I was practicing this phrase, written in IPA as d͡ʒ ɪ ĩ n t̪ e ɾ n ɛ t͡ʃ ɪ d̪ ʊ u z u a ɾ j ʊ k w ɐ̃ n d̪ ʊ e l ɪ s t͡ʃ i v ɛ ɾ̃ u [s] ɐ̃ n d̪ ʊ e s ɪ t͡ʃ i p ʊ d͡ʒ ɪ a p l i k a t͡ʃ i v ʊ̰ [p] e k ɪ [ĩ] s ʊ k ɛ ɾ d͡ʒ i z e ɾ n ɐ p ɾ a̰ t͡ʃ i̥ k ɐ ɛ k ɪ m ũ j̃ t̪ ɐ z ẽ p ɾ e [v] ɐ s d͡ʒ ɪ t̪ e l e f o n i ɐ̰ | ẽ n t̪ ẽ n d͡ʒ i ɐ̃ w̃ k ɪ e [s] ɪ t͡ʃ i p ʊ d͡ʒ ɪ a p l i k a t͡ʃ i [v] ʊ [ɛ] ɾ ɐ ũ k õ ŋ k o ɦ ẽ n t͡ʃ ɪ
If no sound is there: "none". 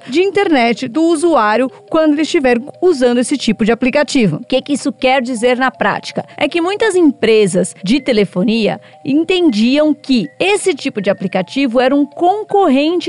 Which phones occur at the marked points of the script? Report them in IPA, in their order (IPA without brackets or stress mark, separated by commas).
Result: z, k, i, z, s, v, ɛ